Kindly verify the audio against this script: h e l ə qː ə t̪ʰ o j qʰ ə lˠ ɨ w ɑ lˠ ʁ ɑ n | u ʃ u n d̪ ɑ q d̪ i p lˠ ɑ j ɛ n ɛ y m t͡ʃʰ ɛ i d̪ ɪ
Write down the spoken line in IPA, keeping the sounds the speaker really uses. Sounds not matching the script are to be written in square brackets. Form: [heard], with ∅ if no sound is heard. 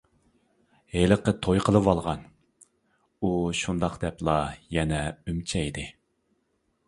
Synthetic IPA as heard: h e l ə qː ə t̪ʰ o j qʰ ə lˠ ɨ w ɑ lˠ ʁ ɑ n | u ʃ u n d̪ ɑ q d̪ [ɛ] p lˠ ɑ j ɛ n ɛ y m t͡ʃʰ ɛ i d̪ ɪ